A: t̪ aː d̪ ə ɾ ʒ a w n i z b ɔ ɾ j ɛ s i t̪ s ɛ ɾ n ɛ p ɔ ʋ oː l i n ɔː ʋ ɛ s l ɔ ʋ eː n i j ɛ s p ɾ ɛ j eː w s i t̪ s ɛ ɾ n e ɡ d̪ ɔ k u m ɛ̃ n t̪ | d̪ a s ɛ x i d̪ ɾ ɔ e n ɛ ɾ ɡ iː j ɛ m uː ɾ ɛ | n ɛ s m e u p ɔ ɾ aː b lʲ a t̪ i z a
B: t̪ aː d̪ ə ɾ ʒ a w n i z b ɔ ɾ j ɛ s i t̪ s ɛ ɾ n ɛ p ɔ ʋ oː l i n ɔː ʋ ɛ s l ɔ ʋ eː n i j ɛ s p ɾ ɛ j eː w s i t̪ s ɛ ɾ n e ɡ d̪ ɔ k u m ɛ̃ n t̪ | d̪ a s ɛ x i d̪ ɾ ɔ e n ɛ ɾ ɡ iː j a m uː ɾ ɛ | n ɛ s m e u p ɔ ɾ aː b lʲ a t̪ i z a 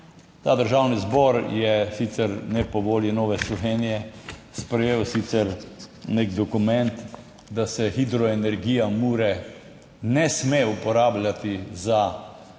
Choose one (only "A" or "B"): B